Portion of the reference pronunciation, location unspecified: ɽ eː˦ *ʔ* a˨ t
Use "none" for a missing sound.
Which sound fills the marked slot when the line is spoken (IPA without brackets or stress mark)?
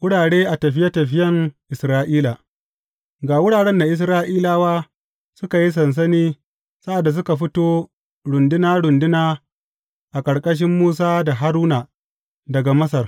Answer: ʔ